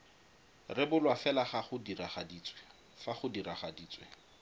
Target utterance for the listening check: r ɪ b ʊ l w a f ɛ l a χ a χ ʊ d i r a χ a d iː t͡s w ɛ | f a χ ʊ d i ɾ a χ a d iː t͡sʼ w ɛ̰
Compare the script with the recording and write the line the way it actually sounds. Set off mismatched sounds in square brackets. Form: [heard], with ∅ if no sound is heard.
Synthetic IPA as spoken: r ɪ b ʊ l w a f ɛ l a χ a χ ʊ d i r a χ a d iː t͡s w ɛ | f a χ ʊ d i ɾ a χ a d iː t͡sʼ w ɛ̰